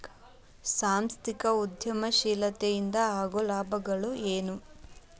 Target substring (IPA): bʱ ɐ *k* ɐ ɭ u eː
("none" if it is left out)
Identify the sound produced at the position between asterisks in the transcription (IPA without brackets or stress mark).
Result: ɡ